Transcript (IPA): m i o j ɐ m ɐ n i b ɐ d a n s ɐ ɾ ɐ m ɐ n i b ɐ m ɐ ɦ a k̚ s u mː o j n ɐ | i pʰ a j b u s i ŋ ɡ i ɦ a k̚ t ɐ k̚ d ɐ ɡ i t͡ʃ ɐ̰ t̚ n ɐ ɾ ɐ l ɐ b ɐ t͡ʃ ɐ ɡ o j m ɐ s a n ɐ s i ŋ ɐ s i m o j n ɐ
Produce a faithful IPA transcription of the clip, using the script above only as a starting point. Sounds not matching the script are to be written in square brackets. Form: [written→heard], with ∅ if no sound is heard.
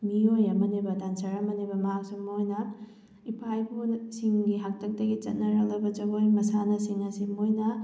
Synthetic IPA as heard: m i o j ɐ m ɐ n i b ɐ d a n s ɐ ɾ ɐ m ɐ n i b ɐ m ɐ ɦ a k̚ s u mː o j n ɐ | i pʰ a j b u s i ŋ ɡ i ɦ a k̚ t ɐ k̚ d ɐ ɡ i t͡ʃ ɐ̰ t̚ n ɐ ɾ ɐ l ɐ b ɐ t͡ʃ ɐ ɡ o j m ɐ s a n ɐ s i ŋ ɐ s i m o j n ɐ